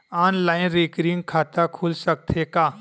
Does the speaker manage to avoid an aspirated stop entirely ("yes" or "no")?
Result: no